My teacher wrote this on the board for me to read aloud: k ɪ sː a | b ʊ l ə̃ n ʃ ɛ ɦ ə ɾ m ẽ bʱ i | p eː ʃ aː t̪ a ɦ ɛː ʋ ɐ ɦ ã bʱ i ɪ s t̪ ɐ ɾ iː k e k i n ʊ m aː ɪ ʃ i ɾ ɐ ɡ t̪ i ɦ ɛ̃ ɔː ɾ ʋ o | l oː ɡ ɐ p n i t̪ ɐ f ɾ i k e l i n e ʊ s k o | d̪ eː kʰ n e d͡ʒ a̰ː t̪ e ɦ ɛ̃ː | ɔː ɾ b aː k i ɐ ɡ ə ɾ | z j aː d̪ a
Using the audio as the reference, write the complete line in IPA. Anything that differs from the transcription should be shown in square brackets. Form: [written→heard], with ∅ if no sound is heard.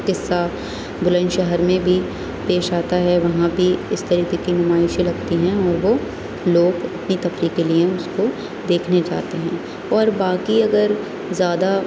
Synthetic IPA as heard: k ɪ sː a | b ʊ l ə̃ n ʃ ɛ ɦ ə ɾ m ẽ bʱ i | p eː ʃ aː t̪ a ɦ [ɛː→ɛ] ʋ ɐ ɦ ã bʱ i ɪ s t̪ ɐ ɾ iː k e k i n ʊ m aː ɪ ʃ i [ɾ→l] ɐ ɡ t̪ i ɦ ɛ̃ ɔː ɾ ʋ o | l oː ɡ ɐ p n i t̪ ɐ f ɾ i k e l i [n→∅] e ʊ s k o | d̪ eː kʰ n e d͡ʒ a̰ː t̪ e ɦ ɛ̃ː | ɔː ɾ b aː k i ɐ ɡ ə ɾ | z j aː d̪ a